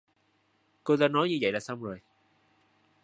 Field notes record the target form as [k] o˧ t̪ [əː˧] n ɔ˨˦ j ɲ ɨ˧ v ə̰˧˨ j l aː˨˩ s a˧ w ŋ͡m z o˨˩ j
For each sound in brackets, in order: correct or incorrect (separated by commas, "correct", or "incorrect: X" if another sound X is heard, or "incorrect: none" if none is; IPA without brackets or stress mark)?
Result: correct, incorrect: aː˧